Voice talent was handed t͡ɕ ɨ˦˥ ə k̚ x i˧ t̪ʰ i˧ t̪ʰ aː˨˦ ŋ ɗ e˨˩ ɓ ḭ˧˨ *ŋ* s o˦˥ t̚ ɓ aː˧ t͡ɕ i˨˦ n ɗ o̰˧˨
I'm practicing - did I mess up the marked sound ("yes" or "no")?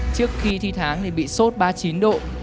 yes